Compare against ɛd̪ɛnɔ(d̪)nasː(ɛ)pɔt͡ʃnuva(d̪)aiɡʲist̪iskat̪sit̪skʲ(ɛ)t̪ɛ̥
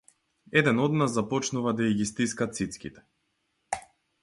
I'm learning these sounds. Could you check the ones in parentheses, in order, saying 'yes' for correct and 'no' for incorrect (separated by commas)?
yes, no, yes, no